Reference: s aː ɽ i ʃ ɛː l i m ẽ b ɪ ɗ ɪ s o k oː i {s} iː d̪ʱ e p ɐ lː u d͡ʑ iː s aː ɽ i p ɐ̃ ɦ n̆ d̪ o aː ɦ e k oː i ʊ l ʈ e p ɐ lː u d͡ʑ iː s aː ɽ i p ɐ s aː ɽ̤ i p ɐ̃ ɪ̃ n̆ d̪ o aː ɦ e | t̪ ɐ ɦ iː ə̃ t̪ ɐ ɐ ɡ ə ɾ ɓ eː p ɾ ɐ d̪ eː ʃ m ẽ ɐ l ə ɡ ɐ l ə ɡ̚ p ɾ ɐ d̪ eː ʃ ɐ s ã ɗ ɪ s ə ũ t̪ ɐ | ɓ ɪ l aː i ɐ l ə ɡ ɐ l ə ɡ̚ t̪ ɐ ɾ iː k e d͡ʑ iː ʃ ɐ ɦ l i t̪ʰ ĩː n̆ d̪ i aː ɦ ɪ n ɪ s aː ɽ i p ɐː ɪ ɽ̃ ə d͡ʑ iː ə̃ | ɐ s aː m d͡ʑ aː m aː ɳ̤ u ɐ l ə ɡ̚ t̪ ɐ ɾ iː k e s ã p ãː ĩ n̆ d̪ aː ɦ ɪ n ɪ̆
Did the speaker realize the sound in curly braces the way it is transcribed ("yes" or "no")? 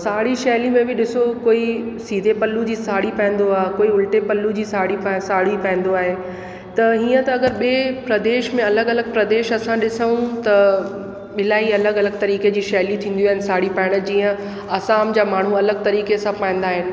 yes